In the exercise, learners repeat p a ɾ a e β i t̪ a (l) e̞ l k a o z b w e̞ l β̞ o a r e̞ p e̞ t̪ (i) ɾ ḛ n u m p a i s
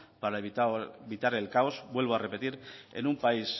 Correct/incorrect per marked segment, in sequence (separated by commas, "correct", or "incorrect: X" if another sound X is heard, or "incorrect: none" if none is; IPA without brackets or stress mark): incorrect: ɾ, correct